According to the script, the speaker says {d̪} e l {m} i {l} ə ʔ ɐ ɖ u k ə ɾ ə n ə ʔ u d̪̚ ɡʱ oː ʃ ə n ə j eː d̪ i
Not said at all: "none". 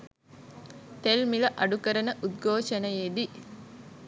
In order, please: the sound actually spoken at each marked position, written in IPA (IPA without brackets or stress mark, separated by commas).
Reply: t̪, m, l